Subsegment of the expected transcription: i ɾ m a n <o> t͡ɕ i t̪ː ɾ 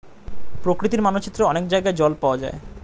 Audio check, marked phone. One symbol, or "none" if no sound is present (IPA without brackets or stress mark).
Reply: o